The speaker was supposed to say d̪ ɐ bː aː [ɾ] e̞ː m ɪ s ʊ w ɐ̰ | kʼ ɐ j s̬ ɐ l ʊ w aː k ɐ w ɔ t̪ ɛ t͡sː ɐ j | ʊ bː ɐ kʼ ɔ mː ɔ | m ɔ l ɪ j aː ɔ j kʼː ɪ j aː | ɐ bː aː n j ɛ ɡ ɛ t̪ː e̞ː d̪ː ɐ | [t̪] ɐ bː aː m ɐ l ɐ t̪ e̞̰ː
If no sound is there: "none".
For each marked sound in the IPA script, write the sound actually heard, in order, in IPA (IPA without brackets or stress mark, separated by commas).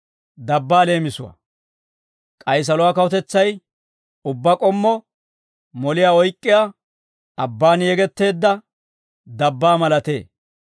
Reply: l, d̪